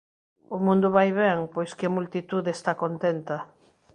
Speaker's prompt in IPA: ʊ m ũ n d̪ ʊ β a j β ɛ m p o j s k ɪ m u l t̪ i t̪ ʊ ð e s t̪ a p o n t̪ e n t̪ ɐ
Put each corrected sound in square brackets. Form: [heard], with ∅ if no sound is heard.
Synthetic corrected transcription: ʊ m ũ n d̪ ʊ β a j β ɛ [ŋ] p o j s k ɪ m u l t̪ i t̪ [u] ð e s t̪ a [k] o n t̪ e n t̪ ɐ

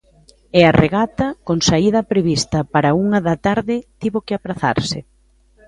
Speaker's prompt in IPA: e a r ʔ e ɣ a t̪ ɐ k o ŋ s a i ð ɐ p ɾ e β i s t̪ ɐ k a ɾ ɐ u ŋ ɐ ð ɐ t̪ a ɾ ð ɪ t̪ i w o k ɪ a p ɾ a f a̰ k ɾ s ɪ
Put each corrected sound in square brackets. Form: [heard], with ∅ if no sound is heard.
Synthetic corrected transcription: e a r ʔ e ɣ a t̪ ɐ k o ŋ s a i ð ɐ p ɾ e β i s t̪ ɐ [p] a ɾ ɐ u ŋ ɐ ð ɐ t̪ a ɾ ð ɪ t̪ i [β] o k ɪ a p ɾ a [θ] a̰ [∅] ɾ s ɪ

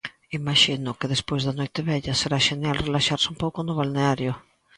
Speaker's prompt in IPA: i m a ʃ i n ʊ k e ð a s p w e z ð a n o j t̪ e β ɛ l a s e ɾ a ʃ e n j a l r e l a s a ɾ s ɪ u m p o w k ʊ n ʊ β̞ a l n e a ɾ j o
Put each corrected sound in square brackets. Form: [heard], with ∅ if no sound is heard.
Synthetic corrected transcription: i m a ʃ i n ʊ k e ð [e] s p w e z ð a n o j t̪ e β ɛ [ʎ] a s e ɾ a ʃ e n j a l r e l a [ʃ] a ɾ s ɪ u m p o w k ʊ n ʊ β̞ a l n e a ɾ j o

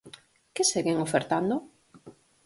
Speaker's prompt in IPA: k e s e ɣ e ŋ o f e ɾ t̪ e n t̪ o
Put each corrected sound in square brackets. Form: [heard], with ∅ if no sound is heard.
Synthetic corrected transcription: k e s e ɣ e ŋ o f e ɾ t̪ [a] n [d̪] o

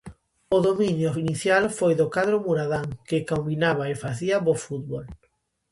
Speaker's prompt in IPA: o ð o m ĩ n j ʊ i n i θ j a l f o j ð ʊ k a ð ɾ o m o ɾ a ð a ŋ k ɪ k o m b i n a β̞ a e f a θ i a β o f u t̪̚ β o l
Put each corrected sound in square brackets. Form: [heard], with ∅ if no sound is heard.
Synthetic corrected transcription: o ð o m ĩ n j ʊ i n i θ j a l f o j ð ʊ k a ð ɾ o m [u] ɾ a ð a ŋ k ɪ k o m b i n a β̞ a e f a θ i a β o f u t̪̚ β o l

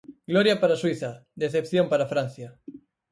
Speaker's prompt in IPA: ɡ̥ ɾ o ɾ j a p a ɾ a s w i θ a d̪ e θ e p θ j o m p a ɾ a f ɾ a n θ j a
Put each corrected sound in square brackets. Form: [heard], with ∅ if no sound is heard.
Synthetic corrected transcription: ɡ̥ [l] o ɾ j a p a ɾ a s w i θ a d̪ e θ e p θ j o m p a ɾ a f ɾ a n θ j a

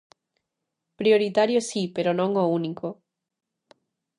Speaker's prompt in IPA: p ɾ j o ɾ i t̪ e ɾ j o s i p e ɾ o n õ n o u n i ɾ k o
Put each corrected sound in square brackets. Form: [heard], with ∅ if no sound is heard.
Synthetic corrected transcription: p ɾ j o ɾ i t̪ [a] ɾ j o s i p e ɾ o n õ [ŋ] o u n i [∅] k o

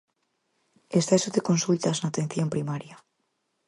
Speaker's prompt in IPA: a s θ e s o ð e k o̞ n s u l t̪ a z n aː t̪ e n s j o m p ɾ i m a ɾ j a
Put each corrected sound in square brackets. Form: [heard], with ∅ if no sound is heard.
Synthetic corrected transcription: [e] s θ e s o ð e k o̞ n s u l t̪ a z n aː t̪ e n [θ] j o m p ɾ i m a ɾ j a

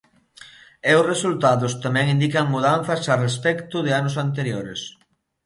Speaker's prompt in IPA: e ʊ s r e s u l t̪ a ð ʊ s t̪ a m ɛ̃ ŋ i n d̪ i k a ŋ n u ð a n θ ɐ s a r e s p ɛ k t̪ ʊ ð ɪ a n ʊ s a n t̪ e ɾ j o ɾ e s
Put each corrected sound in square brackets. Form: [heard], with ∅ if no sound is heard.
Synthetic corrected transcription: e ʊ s r e s u l t̪ a ð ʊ s t̪ a m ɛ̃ ŋ i n d̪ i k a ŋ [m] u ð a n θ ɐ s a r e s p ɛ k t̪ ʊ ð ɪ a n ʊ s a n t̪ e ɾ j o ɾ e s

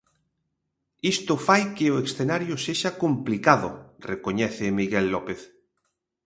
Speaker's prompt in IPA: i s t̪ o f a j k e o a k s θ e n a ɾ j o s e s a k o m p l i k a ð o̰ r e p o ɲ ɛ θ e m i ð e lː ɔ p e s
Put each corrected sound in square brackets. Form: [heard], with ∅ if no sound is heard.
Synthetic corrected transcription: i s t̪ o f a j k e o [e] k s θ e n a ɾ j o s e [ʃ] a k o m p l i k a ð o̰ r e [k] o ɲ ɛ θ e m i [ɣ] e lː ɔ p e [θ]

